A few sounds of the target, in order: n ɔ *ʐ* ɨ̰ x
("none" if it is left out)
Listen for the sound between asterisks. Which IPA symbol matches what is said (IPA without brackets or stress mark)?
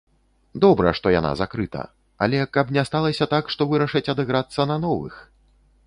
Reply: v